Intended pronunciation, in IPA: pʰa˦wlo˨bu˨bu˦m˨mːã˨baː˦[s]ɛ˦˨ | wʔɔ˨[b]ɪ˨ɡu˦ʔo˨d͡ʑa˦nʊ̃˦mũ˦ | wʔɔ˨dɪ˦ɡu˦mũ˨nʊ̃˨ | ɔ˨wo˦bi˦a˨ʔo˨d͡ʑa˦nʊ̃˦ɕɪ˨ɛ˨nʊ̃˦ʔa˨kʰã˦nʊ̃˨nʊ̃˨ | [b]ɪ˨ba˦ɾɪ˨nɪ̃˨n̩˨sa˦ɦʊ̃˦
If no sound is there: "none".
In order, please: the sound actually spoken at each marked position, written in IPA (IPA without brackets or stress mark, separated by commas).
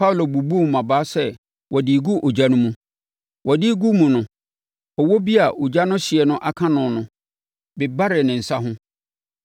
s, d, b